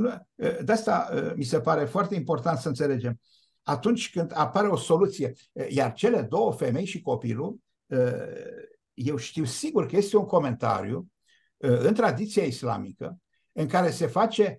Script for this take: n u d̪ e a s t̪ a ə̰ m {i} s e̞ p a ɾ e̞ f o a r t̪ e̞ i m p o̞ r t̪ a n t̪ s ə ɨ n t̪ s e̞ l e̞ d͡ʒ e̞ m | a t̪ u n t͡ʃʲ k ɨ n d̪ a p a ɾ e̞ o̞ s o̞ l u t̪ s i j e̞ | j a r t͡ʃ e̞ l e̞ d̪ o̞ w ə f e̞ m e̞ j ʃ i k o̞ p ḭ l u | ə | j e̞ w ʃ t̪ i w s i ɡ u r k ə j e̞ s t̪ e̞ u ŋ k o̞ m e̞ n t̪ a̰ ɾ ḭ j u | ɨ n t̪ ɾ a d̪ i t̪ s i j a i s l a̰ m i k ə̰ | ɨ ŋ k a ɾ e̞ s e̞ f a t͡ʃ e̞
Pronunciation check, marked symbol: correct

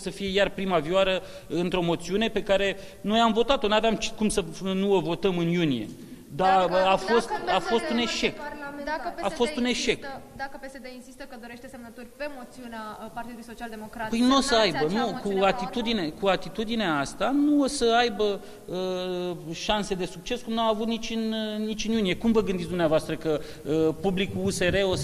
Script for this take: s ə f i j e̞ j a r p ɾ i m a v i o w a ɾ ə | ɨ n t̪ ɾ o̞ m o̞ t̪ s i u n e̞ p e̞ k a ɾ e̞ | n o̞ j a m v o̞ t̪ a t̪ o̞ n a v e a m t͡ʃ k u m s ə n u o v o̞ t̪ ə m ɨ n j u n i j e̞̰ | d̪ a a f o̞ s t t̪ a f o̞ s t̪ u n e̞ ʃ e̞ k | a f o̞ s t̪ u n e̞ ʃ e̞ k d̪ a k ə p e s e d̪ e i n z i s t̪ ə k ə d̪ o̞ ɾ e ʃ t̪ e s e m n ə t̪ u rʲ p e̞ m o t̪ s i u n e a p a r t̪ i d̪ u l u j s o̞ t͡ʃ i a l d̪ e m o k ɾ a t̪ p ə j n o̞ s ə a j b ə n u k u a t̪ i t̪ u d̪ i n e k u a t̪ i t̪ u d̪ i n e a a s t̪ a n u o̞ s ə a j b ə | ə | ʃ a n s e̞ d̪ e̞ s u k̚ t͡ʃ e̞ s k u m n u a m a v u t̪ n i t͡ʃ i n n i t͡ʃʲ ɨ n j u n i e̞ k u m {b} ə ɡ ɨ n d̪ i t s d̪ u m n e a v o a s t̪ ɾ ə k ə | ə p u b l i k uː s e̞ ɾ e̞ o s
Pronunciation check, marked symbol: incorrect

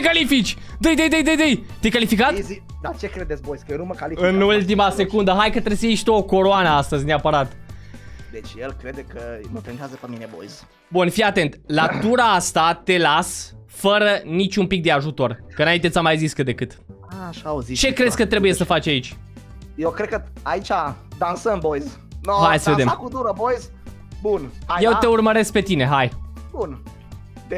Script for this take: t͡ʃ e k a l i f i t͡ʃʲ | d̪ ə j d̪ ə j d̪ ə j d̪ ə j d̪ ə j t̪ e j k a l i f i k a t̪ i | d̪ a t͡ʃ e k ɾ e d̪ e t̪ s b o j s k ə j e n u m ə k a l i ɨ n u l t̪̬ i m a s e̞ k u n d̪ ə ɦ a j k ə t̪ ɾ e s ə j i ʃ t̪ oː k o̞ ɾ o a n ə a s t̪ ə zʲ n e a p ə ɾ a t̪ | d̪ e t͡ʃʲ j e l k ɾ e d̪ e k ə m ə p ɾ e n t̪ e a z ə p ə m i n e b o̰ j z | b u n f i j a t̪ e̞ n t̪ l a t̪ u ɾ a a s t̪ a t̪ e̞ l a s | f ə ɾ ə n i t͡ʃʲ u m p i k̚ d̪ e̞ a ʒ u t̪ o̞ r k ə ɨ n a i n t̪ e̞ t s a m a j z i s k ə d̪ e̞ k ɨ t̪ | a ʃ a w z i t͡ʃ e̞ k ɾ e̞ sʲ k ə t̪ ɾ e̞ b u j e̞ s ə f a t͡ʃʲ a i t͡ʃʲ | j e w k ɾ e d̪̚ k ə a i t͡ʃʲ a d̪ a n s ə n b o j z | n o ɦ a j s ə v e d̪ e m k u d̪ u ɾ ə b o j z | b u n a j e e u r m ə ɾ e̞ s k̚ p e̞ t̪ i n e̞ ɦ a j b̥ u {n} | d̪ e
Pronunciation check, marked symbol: correct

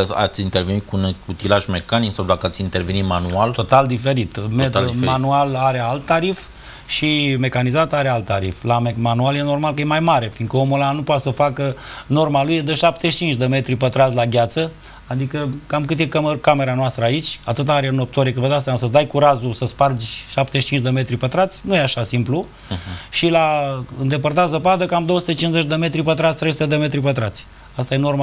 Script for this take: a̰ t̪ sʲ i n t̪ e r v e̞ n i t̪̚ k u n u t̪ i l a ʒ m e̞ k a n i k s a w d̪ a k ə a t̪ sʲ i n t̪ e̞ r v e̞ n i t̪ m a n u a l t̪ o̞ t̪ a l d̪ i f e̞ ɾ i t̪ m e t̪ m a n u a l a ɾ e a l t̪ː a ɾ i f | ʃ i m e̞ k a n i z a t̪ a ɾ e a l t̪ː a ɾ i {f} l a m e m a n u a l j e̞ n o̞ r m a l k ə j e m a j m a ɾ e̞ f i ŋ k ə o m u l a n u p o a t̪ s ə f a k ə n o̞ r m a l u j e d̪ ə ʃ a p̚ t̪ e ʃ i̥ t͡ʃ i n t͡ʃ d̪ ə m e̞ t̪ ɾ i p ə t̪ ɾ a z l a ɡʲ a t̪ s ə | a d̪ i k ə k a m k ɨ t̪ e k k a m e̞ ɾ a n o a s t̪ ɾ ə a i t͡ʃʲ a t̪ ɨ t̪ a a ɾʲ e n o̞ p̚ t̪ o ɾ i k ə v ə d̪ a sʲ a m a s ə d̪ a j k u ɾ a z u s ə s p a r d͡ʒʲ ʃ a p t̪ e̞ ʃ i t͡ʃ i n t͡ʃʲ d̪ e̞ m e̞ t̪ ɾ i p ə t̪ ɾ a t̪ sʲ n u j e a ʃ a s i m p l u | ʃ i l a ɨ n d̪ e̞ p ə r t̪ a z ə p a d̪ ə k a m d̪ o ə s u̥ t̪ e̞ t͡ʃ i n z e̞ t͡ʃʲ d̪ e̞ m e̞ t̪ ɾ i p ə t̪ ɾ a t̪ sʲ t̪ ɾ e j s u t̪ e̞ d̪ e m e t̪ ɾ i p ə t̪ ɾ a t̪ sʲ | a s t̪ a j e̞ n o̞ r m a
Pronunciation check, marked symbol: correct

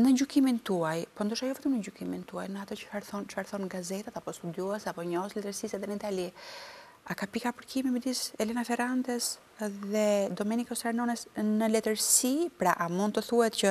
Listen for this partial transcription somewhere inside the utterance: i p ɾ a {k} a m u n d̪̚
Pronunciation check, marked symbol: incorrect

